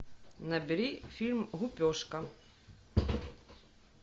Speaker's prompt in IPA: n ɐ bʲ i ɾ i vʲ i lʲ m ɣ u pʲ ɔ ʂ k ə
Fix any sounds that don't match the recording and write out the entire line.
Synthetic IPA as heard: n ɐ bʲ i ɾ i fʲ i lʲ m ɣ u pʲ ɔ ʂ k ɐ